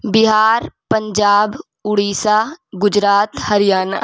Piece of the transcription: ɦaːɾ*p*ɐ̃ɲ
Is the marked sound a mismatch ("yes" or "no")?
no